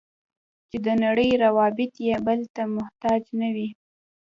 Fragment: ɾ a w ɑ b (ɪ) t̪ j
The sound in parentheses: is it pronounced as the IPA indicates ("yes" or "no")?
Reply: yes